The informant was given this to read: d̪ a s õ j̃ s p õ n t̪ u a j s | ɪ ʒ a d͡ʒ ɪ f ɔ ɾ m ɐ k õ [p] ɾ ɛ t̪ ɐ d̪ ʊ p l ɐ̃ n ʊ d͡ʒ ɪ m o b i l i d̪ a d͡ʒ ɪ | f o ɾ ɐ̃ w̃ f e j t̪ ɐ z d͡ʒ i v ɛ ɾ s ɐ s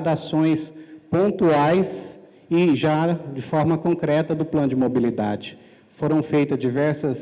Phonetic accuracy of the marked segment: incorrect: k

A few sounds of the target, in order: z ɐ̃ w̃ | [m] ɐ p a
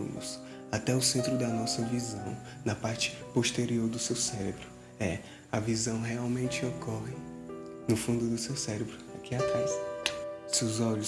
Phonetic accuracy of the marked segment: incorrect: n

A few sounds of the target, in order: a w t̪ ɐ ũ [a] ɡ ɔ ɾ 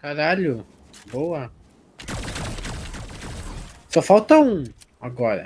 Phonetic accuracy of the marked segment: correct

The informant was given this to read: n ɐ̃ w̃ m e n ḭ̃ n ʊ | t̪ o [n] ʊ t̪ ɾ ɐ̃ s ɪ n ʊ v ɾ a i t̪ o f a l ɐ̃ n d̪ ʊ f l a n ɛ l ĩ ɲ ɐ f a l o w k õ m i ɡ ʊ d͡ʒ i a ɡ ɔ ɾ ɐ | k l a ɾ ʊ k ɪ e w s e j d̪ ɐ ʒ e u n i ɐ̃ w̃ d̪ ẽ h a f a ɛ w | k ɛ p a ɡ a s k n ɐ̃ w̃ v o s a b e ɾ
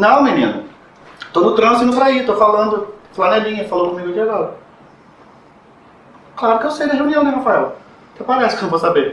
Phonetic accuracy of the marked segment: correct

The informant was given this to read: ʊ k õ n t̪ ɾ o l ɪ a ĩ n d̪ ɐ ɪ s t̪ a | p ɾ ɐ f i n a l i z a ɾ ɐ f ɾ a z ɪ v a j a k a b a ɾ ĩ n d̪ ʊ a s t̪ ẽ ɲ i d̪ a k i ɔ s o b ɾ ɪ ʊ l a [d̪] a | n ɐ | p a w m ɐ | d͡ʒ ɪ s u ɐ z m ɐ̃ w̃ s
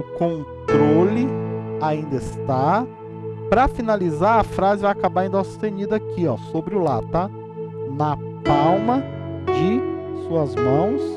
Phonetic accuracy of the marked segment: incorrect: t̪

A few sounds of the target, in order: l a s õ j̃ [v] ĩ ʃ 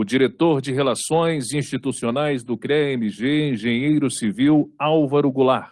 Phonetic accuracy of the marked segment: incorrect: z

